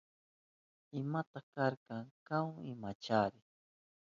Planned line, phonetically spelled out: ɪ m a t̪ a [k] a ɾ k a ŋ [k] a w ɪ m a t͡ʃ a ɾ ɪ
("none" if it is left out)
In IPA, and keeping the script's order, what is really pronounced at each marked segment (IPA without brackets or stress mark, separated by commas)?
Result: k, k